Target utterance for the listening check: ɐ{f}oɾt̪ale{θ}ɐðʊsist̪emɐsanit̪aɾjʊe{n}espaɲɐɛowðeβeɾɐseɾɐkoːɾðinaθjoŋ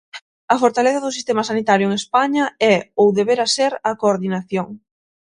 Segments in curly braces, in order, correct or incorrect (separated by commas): correct, correct, incorrect